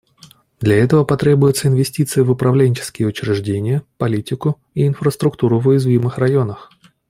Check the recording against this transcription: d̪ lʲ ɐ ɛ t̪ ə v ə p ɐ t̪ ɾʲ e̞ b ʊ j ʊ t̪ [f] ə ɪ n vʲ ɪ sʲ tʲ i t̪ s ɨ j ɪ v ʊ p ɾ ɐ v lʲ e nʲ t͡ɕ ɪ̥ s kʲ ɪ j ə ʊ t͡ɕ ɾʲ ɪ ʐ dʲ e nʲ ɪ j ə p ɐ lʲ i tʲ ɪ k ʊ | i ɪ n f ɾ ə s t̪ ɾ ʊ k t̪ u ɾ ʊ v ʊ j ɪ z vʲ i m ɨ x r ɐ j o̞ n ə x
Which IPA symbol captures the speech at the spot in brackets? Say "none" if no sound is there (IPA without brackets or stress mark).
s